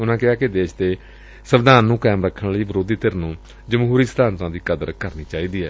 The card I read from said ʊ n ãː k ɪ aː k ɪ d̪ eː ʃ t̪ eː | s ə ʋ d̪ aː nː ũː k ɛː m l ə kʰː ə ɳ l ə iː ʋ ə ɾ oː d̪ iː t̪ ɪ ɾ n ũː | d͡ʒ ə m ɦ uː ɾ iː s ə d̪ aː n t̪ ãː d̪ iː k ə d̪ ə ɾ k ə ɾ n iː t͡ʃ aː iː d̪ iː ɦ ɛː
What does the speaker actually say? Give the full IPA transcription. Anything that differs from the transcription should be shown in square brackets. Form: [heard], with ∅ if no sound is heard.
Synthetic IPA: ʊ n ãː k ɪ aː k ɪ d̪ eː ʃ t̪ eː | s ə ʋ d̪ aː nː ũː k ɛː m [ɾ] ə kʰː ə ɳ l ə iː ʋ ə ɾ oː d̪ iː t̪ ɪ ɾ n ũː | d͡ʒ ə m ɦ uː ɾ iː s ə d̪ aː n t̪ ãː d̪ iː k ə d̪ ə ɾ k ə ɾ n iː t͡ʃ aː iː d̪ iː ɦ ɛː

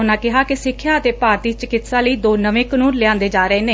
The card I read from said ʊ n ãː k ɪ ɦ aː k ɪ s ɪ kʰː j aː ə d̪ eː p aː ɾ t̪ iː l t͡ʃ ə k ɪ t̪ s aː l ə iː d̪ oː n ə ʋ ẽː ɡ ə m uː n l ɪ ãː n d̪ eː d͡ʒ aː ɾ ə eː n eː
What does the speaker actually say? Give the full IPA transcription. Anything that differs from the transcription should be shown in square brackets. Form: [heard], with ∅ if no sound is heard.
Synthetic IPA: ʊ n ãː k ɪ ɦ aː k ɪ s ɪ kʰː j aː ə [t̪] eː p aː ɾ t̪ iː [∅] t͡ʃ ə k ɪ t̪ s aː l ə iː d̪ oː n ə ʋ ẽː [k] ə [n] uː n l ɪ ãː n d̪ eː d͡ʒ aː ɾ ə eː n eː

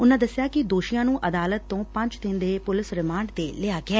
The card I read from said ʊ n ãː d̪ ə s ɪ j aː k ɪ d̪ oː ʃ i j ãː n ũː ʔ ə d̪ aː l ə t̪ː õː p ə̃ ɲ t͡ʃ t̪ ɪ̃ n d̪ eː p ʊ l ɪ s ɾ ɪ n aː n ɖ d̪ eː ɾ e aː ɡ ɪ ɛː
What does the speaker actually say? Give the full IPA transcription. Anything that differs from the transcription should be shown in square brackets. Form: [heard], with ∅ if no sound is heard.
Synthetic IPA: ʊ n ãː d̪ ə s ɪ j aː k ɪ d̪ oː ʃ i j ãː n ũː ʔ ə d̪ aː l ə t̪ː õː p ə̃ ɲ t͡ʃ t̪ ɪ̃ n d̪ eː p ʊ l ɪ s ɾ ɪ [m] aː [ɳ] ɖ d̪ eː [l] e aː ɡ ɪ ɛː

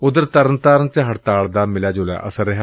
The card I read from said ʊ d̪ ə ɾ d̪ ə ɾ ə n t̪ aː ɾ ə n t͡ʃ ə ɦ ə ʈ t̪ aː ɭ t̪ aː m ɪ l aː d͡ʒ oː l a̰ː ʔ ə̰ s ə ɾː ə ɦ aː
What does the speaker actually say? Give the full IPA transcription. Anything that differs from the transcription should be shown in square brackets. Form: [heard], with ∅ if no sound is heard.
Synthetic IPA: ʊ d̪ ə ɾ [t̪] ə ɾ ə n t̪ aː ɾ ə n t͡ʃ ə ɦ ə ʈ t̪ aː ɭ [d̪] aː m ɪ l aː d͡ʒ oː l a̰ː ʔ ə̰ s ə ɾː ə ɦ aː

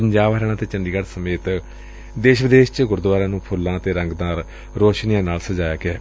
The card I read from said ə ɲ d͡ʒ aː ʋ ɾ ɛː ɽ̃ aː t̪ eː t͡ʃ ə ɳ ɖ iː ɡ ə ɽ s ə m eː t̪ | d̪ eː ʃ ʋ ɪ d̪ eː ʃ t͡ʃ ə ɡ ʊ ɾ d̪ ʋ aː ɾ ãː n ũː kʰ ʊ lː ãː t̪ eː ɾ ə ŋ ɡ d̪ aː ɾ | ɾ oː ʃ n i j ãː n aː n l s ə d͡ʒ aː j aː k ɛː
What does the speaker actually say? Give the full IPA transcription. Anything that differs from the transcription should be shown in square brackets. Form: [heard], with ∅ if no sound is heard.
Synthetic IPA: ə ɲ d͡ʒ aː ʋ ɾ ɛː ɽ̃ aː t̪ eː t͡ʃ ə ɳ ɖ iː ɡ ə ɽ s ə m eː t̪ | d̪ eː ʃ ʋ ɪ d̪ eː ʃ t͡ʃ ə ɡ ʊ ɾ d̪ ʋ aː ɾ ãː n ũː [pʰ] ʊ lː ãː t̪ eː ɾ ə ŋ ɡ d̪ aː ɾ | ɾ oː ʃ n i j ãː n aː [∅] l s ə d͡ʒ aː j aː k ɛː

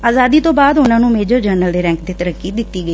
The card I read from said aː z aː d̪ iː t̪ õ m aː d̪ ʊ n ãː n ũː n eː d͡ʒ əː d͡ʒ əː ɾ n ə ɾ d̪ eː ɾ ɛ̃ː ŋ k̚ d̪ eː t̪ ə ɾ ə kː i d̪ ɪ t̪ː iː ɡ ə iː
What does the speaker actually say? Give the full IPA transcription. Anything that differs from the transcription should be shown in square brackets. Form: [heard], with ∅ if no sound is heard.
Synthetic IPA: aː z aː d̪ iː t̪ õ [b] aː d̪ ʊ n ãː n ũː [m] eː d͡ʒ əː d͡ʒ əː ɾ n ə [l] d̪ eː ɾ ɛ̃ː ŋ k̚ d̪ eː t̪ ə ɾ ə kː i d̪ ɪ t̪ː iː ɡ ə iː

